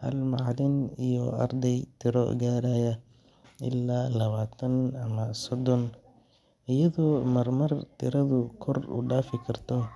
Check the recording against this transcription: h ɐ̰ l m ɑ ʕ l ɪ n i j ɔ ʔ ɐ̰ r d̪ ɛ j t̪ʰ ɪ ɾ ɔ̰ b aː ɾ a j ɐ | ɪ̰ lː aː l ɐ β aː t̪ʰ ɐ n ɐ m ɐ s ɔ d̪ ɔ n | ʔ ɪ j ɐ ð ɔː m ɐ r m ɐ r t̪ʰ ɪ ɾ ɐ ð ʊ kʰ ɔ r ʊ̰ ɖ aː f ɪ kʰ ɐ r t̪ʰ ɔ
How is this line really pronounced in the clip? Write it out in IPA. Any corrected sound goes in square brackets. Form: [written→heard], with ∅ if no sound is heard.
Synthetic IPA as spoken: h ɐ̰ l m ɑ ʕ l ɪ n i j ɔ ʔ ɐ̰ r d̪ ɛ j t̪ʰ ɪ ɾ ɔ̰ [b→ɡ] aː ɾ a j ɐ | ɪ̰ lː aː l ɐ β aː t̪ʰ ɐ n ɐ m ɐ s ɔ d̪ ɔ n | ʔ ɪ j ɐ ð ɔː m ɐ r m ɐ r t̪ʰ ɪ ɾ ɐ ð ʊ kʰ ɔ r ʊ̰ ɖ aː f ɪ kʰ ɐ r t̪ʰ ɔ